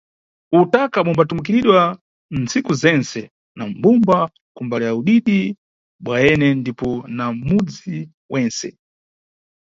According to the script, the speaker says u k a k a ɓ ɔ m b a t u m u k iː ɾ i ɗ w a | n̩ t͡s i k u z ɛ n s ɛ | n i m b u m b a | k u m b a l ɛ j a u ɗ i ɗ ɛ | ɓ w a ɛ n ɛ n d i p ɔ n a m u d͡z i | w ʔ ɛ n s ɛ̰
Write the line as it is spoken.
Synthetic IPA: u t a k a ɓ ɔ m b a t u m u k i ɾ i ɗ w a | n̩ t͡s i k u z ɛ n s ɛ | n a m b u m b a | k u m b a l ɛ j a u ɗ i ɗ i | ɓ w a ɛ n ɛ n d i p ɔ n a m u d͡z i | w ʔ ɛ n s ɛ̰

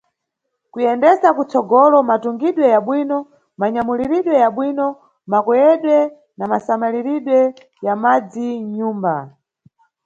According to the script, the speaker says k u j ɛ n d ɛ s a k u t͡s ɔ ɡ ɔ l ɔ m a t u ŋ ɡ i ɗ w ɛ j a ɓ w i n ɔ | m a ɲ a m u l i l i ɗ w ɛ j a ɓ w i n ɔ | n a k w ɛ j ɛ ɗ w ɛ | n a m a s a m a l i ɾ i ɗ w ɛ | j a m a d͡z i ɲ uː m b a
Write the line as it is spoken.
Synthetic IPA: k u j ɛ n d ɛ s a k u t͡s ɔ ɡ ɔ l ɔ m a t u ŋ ɡ i ɗ w ɛ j a ɓ w i n ɔ | m a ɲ a m u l i ɾ i ɗ w ɛ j a ɓ w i n ɔ | m a k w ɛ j ɛ ɗ w ɛ | n a m a s a m a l i ɾ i ɗ w ɛ | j a m a d͡z i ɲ uː m b a

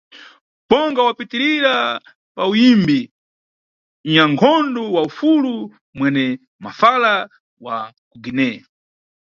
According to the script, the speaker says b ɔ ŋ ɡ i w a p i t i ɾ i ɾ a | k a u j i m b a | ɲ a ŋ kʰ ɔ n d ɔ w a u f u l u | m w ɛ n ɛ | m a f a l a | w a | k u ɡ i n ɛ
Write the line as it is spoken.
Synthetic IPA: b ɔ ŋ ɡ a w a p i t i ɾ i ɾ a | p a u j i m b i | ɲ a ŋ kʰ ɔ n d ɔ w a u f u l u | m w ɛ n ɛ | m a f a l a | w a | k u ɡ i n ɛ

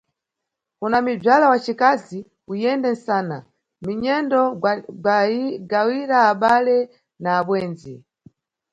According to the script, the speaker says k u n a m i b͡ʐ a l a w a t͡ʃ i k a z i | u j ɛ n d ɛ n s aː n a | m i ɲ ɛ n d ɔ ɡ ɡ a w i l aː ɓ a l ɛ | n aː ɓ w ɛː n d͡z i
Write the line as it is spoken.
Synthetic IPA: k u n a m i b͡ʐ a l a w a t͡ʃ i k a z i | u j ɛ n d ɛ n s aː n a | m i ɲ ɛ n d ɔ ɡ ɡ a w i ɾ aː ɓ a l ɛ | n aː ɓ w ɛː n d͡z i

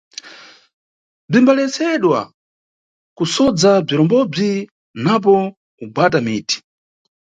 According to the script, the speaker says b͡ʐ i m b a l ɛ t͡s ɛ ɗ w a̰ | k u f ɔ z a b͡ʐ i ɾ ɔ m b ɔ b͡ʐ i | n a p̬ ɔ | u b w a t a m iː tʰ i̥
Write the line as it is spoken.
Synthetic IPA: b͡ʐ i m b a l ɛ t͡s ɛ ɗ w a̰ | k u s ɔ d͡z a b͡ʐ i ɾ ɔ m b ɔ b͡ʐ i | n a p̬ ɔ | u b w a t a m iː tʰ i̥

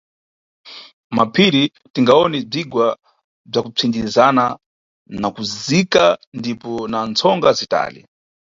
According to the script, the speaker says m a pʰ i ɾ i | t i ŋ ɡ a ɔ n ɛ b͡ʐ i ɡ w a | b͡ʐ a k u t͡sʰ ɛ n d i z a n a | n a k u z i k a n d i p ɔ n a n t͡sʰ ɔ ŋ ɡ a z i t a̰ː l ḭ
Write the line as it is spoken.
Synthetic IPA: m a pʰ i ɾ i | t i ŋ ɡ a ɔ n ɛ b͡ʐ i ɡ w a | b͡ʐ a k u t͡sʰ i n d i z a n a | n a k u z i k a n d i p ɔ n a n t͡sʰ ɔ ŋ ɡ a z i t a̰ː l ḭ

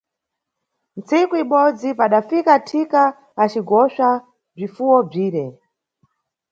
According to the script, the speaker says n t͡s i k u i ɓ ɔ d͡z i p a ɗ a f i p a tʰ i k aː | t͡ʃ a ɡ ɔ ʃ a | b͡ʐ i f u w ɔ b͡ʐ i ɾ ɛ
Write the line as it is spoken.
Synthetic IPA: n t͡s i k u i ɓ ɔ d͡z i p a ɗ a f i k a tʰ i k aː | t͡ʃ i ɡ ɔ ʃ a | b͡ʐ i f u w ɔ b͡ʐ iː ɾ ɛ

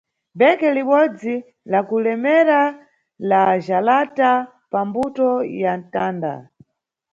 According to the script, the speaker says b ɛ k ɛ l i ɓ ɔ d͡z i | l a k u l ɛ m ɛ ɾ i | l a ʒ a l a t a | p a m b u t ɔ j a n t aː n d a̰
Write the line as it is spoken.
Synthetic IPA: b ɛ k ɛ l i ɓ ɔ d͡z i | l a k u l ɛ m ɛ ɾ a | l a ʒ a l a t a | p a m b u t ɔ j a n t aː n d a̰

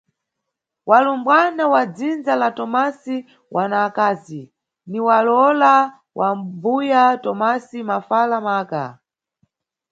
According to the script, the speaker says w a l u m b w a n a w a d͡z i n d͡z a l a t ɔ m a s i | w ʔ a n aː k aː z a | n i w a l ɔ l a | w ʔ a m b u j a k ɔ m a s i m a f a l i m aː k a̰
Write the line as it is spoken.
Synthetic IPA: w a l u m b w a n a w a d͡z i n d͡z a l a t ɔ m a s i | w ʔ a n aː k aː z i | n i w a l ɔ l a | w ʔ a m b u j a t ɔ m a s i m a f a l a m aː k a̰

